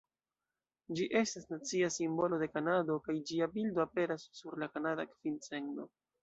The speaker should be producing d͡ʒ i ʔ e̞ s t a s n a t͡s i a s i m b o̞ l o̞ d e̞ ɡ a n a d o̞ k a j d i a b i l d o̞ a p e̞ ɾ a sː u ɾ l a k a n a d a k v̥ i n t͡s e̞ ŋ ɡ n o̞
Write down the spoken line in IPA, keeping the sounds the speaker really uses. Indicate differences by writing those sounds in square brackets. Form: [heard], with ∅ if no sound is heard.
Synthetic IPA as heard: d͡ʒ i ʔ e̞ s t a s n a t͡s i a s i m b o̞ l o̞ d e̞ [k] a n a d o̞ k a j [d͡ʒ] i a b i l d o̞ a p e̞ ɾ a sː u ɾ l a k a n a d a k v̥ i n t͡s e̞ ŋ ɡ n o̞